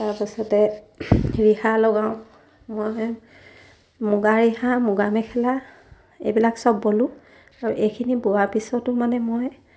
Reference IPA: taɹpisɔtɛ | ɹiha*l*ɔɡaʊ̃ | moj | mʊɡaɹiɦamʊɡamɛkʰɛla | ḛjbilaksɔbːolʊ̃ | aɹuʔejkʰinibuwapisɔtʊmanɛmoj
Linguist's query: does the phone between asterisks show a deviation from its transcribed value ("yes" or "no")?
no